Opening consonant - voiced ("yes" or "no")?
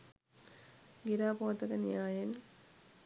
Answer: yes